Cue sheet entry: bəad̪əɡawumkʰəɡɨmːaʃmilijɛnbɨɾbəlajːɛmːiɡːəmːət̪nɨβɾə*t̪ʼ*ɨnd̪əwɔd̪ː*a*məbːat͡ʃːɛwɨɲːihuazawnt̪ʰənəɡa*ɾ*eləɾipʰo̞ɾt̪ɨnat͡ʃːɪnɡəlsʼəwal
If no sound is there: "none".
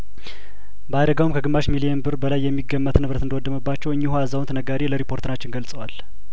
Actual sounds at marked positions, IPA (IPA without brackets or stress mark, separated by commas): t̪, ə, ɾ